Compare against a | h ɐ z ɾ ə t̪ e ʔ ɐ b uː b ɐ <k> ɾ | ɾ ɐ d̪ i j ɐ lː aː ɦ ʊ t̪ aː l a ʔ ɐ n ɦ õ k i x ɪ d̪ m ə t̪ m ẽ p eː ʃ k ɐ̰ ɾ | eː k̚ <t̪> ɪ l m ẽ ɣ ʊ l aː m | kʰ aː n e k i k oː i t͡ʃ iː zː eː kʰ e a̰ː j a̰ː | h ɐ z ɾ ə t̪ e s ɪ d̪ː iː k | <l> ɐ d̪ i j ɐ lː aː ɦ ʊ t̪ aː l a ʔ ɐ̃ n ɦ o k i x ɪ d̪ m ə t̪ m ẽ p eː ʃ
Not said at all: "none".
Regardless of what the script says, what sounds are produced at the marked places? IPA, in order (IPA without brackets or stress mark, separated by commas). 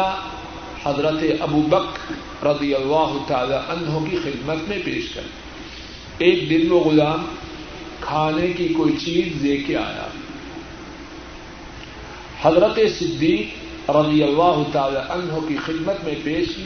k, d̪, ɾ